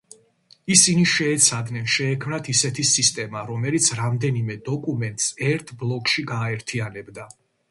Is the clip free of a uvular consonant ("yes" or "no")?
yes